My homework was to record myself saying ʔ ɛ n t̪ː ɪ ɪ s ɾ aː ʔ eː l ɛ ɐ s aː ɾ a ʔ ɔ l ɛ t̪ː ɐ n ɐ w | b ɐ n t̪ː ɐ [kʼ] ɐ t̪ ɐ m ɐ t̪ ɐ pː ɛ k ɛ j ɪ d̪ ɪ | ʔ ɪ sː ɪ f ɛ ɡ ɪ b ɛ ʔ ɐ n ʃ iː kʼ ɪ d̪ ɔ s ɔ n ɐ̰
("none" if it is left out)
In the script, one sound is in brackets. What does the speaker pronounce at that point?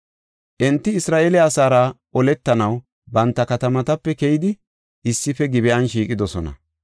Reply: k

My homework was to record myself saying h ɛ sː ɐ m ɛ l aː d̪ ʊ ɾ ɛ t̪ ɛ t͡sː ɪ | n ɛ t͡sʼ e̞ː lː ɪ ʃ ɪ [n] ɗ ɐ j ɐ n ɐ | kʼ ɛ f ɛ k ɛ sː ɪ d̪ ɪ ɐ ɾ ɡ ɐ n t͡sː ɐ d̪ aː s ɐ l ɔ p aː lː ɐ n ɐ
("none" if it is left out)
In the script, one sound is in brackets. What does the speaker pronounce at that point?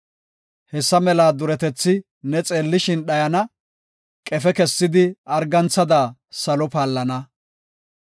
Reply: n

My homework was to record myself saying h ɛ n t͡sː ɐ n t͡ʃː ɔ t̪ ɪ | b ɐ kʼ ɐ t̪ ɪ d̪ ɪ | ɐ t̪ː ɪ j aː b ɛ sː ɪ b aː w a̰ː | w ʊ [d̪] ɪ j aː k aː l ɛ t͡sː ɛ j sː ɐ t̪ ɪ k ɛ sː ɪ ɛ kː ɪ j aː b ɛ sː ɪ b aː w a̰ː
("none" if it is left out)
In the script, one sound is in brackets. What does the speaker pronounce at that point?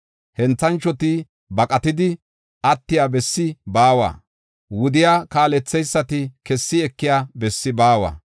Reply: d̪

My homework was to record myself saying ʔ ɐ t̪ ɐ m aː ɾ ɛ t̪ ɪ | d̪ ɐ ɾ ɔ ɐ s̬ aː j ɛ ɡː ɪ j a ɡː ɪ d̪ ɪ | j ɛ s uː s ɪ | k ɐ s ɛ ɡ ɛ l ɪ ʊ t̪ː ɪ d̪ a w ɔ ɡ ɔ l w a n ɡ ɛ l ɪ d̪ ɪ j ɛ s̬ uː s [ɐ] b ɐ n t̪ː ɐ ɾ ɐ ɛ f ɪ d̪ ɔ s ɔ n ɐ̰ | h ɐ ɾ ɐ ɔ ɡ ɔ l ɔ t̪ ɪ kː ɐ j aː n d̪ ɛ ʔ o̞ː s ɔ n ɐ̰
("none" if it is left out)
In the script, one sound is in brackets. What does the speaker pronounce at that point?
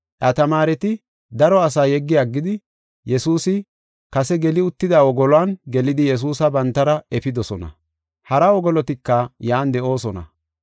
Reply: ɐ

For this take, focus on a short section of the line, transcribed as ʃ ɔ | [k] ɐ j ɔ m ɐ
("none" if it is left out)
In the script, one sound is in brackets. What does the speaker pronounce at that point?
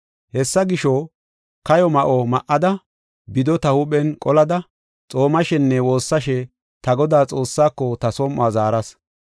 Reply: k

